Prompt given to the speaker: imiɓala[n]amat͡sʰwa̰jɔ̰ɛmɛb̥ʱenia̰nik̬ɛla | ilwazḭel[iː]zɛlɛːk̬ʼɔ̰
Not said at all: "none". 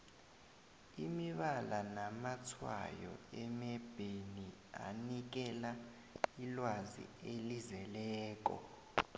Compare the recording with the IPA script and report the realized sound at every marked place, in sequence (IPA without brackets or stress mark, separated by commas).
n, i